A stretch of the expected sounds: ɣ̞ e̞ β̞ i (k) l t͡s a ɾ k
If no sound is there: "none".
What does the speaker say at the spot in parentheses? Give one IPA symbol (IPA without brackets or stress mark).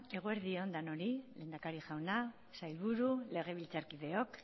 none